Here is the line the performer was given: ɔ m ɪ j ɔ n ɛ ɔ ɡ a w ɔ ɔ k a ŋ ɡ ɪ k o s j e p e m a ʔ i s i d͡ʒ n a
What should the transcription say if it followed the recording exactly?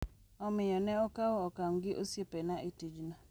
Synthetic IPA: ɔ m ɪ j ɔ n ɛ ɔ k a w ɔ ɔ k a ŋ ɡ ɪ ʔ o s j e p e n a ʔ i t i d͡ʒ n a